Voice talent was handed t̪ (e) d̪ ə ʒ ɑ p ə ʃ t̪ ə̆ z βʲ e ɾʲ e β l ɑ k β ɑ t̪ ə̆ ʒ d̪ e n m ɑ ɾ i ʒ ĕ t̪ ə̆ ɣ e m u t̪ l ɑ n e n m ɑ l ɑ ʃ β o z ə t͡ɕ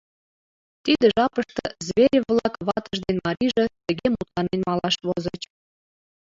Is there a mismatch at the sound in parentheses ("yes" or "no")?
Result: yes